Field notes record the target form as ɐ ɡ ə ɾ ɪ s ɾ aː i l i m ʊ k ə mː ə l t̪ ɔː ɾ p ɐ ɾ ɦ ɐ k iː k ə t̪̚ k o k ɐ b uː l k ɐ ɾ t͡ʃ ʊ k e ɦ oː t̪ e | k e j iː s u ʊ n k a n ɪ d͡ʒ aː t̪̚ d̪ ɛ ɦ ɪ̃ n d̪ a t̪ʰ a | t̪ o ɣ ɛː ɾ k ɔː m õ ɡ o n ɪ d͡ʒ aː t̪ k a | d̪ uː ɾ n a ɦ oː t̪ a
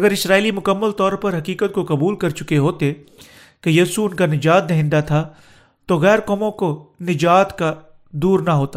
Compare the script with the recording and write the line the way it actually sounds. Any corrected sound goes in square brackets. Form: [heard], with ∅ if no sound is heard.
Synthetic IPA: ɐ ɡ ə ɾ ɪ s ɾ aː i l i m ʊ k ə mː ə l t̪ ɔː ɾ p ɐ ɾ ɦ ɐ k iː k ə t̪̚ k o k ɐ b uː l k ɐ ɾ t͡ʃ ʊ k e ɦ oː t̪ e | k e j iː s u ʊ n k a n ɪ d͡ʒ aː t̪̚ d̪ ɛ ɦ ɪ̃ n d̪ a t̪ʰ a | t̪ o ɣ ɛː ɾ k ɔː m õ [k] o n ɪ d͡ʒ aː t̪ k a | d̪ uː ɾ n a ɦ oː t̪ a